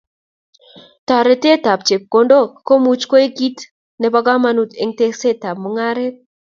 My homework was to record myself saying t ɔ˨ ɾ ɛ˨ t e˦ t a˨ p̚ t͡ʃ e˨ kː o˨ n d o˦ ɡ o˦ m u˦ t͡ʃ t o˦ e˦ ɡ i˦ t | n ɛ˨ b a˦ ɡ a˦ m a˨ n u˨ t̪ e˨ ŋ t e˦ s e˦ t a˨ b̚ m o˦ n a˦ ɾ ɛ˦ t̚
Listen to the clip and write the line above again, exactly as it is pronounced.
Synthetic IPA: t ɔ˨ ɾ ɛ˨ t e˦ t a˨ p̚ t͡ʃ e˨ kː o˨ n d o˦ k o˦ m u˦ t͡ʃ k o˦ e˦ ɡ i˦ t | n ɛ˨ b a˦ ɡ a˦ m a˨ n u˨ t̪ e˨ ŋ t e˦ s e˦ t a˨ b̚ m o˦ ŋ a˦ ɾ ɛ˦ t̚